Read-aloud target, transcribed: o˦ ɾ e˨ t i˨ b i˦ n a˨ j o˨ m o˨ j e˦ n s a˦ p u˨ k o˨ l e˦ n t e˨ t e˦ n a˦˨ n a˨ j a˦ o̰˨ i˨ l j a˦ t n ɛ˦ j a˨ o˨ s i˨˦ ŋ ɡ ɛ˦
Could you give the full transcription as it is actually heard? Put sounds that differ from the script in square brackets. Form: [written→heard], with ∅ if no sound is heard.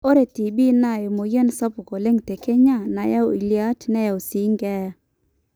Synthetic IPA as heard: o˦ ɾ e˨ t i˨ b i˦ n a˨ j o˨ m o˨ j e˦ n s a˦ p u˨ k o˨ l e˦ [n→ŋ] t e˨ [t→k] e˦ [n→ɲ] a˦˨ n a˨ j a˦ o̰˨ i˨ l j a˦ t n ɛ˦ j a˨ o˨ s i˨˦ ŋ ɡ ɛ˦

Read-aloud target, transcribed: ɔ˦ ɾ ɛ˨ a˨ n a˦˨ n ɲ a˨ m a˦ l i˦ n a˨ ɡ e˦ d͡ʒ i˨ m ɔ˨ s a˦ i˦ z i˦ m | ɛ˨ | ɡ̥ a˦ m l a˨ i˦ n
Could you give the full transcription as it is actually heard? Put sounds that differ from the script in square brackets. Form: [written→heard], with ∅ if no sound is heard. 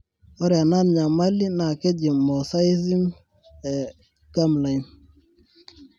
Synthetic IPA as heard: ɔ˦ ɾ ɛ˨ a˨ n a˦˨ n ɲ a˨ m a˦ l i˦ n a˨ [ɡ→k] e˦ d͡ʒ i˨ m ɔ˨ s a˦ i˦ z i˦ m | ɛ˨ | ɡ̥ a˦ m l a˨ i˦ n

